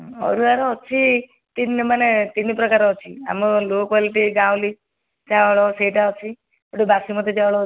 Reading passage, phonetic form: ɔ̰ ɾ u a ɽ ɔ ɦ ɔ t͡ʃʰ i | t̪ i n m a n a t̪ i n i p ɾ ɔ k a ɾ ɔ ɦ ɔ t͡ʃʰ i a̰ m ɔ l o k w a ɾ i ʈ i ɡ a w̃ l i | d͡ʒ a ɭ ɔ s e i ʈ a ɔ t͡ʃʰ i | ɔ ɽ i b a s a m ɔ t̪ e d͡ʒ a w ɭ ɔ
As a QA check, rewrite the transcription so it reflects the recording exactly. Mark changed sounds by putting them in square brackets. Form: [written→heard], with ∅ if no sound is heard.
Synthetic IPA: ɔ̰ ɾ u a [ɽ→ɾ] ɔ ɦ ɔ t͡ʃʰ i | t̪ i n m a n [a→e] t̪ i n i p ɾ ɔ k a ɾ ɔ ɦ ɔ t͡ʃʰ i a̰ m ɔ l o k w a [ɾ→l] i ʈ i ɡ a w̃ l i | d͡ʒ a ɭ ɔ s e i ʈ a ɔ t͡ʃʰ i | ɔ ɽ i b a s [a→i] m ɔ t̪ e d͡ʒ a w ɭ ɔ